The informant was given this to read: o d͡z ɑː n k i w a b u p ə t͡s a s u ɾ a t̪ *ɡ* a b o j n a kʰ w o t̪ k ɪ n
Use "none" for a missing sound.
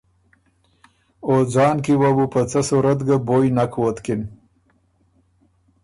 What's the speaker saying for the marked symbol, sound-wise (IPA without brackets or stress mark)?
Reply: ɡ